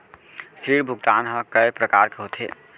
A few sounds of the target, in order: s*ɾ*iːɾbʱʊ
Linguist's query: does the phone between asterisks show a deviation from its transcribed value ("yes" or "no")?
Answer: no